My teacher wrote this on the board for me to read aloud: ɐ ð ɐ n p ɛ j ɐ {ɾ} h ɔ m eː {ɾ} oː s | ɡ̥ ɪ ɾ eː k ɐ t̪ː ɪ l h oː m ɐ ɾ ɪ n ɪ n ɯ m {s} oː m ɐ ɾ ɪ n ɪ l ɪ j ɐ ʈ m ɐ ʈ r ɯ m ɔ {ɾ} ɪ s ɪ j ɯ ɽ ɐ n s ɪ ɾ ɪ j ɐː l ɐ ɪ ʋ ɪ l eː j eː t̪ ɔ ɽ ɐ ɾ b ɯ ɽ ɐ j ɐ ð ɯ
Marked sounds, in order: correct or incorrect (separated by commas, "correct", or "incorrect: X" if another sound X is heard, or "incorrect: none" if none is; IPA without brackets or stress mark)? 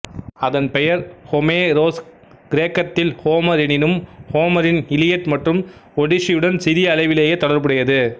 correct, correct, incorrect: h, incorrect: ɽ